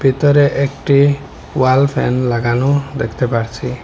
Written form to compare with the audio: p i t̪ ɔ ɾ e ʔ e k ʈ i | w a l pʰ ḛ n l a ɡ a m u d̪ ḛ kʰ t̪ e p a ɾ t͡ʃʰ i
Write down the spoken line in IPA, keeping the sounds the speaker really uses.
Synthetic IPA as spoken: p i t̪ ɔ ɾ e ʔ e k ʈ i | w a l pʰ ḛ n l a ɡ a n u d̪ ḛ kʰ t̪ e p a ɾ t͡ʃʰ i